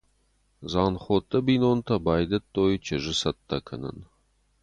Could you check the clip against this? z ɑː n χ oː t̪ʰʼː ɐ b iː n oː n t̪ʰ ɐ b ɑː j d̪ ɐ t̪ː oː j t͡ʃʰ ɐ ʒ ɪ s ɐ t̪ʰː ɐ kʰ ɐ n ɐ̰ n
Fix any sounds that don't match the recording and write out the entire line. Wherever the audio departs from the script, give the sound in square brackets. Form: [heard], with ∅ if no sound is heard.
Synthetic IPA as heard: z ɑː n χ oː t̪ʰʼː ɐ b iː n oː n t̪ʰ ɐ b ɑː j d̪ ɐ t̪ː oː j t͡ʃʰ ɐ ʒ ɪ s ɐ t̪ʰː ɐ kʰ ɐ n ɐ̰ n